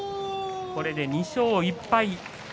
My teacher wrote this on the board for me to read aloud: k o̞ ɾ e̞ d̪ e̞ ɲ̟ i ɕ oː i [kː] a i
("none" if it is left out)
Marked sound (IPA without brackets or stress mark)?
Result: pː